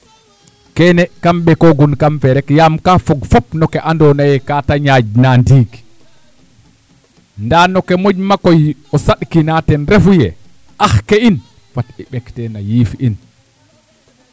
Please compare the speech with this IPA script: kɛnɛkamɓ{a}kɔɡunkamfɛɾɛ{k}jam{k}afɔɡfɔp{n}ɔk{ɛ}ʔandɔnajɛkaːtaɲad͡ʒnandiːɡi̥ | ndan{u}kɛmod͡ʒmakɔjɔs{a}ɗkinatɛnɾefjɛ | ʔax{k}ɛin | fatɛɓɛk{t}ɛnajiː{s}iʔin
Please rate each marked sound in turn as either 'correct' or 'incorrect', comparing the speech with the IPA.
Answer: incorrect, correct, correct, correct, correct, incorrect, correct, correct, correct, incorrect

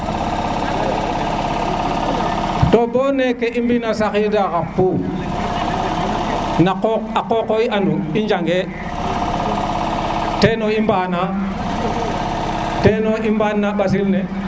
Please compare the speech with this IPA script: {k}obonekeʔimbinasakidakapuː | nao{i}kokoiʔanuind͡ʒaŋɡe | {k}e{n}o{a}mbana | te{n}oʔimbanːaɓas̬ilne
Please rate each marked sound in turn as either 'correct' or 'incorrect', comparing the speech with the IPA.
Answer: incorrect, incorrect, incorrect, correct, incorrect, correct

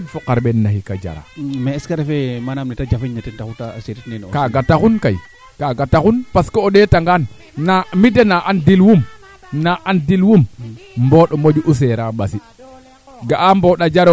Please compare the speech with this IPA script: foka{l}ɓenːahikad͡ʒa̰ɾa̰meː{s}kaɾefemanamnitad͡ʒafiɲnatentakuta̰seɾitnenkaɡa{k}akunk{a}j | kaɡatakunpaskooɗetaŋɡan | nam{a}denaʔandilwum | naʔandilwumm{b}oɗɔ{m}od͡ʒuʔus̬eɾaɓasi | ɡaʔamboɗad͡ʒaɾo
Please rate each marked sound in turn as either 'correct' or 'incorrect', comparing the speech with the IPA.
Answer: incorrect, correct, incorrect, correct, incorrect, correct, correct

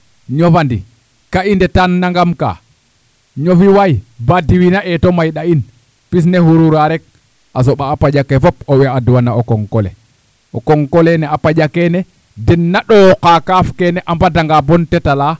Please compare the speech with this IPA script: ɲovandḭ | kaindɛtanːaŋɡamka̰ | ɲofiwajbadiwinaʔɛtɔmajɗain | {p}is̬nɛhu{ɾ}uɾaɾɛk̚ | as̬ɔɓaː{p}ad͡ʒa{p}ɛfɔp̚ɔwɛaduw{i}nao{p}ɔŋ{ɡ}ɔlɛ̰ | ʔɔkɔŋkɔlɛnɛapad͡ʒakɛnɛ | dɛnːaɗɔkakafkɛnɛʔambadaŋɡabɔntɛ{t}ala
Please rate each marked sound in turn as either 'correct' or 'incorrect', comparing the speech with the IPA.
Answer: correct, correct, correct, incorrect, incorrect, incorrect, incorrect, correct

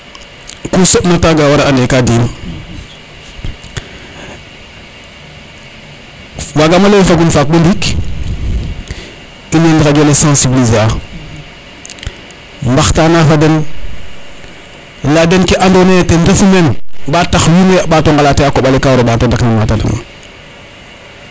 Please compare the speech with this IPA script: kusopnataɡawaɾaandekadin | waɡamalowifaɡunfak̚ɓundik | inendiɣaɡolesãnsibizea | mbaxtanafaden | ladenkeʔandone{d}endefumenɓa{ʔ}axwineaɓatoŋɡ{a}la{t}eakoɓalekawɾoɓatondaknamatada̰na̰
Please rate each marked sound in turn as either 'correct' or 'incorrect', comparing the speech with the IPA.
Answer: incorrect, incorrect, correct, correct

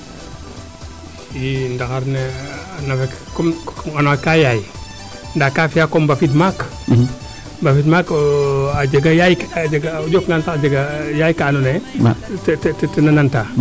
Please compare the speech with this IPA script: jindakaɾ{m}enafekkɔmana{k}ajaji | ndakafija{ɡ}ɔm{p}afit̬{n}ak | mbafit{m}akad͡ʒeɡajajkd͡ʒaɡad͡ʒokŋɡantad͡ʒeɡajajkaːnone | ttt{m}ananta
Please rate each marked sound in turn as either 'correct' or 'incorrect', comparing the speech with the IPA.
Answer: incorrect, correct, incorrect, incorrect, incorrect, correct, incorrect

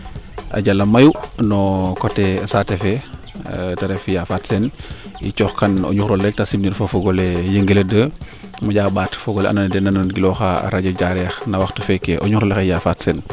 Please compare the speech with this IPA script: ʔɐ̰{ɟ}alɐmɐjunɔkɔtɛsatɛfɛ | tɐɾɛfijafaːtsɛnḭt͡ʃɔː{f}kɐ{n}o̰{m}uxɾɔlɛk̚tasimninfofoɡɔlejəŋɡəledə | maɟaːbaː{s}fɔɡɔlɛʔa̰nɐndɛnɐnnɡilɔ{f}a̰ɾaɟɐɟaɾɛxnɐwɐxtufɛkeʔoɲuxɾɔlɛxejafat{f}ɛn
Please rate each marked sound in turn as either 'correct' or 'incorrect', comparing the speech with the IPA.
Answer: correct, incorrect, correct, incorrect, incorrect, incorrect, incorrect

